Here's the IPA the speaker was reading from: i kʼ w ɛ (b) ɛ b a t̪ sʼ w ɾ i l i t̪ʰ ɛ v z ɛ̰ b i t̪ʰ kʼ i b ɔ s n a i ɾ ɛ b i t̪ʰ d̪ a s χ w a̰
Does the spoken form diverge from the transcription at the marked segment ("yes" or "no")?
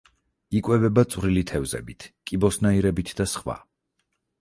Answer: yes